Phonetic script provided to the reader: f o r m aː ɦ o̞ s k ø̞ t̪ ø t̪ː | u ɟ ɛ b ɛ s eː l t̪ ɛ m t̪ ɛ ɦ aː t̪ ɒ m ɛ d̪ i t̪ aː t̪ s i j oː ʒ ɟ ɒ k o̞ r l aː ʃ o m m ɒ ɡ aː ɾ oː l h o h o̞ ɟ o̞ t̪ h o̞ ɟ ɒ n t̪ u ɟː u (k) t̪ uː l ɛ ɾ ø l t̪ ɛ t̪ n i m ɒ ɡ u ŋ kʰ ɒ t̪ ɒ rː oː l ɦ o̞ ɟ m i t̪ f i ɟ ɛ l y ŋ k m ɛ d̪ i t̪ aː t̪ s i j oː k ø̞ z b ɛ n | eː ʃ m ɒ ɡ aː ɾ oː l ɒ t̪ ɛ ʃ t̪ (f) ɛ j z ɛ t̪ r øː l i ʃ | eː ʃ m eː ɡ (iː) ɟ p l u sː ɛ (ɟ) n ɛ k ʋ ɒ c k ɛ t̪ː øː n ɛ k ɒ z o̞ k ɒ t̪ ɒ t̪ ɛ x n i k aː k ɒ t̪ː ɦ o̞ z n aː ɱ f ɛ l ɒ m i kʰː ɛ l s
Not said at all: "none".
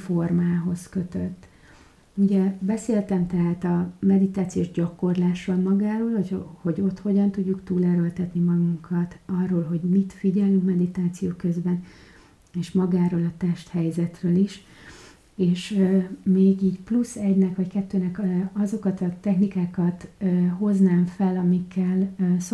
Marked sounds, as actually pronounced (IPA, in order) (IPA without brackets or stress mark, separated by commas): k, h, iː, ɟ